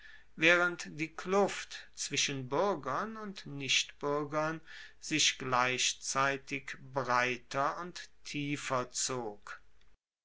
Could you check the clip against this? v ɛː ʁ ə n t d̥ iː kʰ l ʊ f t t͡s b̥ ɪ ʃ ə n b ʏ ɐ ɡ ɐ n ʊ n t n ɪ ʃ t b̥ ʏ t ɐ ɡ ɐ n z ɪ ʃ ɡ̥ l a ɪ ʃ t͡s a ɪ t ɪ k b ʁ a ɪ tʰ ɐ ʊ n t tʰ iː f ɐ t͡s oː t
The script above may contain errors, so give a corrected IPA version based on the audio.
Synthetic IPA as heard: v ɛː ʁ ə n t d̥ iː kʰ l ʊ f t t͡s v̥ ɪ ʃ ə n b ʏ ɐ ɡ ɐ n ʊ n t n ɪ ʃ t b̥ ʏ ɐ ɡ ɐ n z ɪ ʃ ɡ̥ l a ɪ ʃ t͡s a ɪ t ɪ k b ʁ a ɪ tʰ ɐ ʊ n t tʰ iː f ɐ t͡s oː k